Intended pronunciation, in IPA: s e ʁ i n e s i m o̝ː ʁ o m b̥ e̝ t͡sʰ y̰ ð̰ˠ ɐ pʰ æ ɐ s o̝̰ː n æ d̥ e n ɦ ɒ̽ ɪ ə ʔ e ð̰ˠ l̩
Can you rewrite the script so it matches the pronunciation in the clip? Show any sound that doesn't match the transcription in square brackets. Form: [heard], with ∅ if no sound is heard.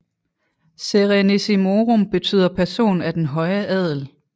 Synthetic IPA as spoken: s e ʁ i n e s i m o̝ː ʁ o m b̥ e̝ t͡sʰ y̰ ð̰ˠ ɐ pʰ æ ɐ s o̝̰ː n æ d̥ e n ɦ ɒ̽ ɪ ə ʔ [ɛ] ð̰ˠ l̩